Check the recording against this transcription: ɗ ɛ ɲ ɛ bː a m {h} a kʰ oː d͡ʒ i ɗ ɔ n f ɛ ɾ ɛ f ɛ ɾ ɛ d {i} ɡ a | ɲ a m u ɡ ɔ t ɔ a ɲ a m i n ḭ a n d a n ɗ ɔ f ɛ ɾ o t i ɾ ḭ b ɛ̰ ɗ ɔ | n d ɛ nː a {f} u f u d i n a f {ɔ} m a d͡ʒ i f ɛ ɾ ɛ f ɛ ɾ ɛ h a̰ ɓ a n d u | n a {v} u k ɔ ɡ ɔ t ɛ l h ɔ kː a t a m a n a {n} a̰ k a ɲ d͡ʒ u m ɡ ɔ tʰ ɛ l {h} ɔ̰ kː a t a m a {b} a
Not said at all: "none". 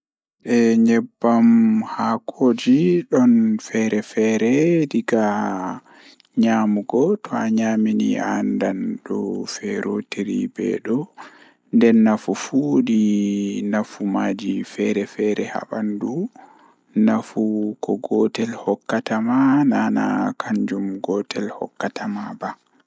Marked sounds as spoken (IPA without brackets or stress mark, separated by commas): h, i, f, u, f, n, h, b